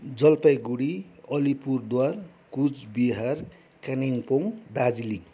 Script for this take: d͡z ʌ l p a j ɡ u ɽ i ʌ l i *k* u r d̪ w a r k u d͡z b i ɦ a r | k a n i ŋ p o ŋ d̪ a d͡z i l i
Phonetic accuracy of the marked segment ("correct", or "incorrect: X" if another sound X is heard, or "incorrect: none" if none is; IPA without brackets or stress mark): incorrect: p